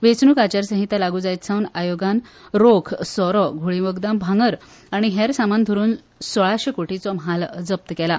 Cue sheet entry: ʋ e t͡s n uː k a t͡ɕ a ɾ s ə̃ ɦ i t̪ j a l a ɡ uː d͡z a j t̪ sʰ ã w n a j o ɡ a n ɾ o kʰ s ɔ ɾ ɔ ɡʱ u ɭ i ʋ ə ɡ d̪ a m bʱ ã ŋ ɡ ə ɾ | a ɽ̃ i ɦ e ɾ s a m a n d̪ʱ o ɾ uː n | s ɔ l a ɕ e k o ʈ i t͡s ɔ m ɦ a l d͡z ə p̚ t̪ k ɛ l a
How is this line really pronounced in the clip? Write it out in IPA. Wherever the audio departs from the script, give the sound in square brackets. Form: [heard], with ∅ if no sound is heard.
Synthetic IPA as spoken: ʋ e t͡s n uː k a t͡ɕ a ɾ s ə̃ ɦ i t̪ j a l a ɡ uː d͡z a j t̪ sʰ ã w n a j o ɡ a n ɾ o kʰ s ɔ ɾ ɔ ɡʱ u ɭ i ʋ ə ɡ d̪ a m bʱ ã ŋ ɡ ə ɾ | a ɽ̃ i ɦ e ɾ s a m a n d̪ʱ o ɾ uː n | s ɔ [ɭ] a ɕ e k o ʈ i t͡s ɔ m ɦ a l d͡z ə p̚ t̪ k ɛ l a